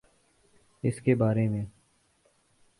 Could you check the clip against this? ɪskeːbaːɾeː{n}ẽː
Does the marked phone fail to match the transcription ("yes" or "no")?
yes